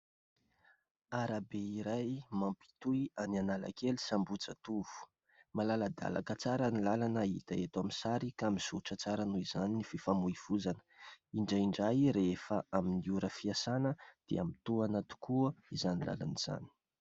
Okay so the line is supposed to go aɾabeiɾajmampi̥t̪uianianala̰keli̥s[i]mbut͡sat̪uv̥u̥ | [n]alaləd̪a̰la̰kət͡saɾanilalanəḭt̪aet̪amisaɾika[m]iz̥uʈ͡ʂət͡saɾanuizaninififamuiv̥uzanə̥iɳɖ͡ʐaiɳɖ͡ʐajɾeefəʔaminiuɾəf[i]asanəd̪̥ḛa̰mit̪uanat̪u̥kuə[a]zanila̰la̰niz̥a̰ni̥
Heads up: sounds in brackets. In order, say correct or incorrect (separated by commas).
incorrect, incorrect, correct, correct, incorrect